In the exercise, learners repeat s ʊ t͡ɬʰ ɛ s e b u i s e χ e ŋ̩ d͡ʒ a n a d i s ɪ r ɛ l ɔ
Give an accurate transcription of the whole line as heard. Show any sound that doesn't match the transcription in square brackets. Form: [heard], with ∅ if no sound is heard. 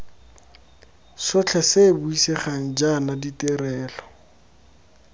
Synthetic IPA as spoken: s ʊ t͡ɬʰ ɛ s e b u i s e χ [a] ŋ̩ d͡ʒ a n a d i [t] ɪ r [ɛː] l ɔ